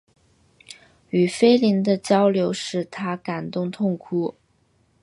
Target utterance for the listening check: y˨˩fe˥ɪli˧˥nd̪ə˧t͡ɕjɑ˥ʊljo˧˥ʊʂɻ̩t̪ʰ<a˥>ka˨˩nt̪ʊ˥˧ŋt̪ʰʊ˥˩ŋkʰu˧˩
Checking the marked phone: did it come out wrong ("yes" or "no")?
no